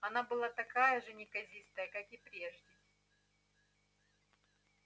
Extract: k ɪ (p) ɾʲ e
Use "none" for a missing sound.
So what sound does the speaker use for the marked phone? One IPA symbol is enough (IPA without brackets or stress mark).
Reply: p